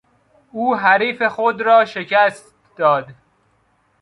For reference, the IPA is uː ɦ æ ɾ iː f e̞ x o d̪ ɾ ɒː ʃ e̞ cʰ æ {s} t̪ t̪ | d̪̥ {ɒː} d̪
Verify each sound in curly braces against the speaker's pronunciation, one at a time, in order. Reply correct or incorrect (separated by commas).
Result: correct, correct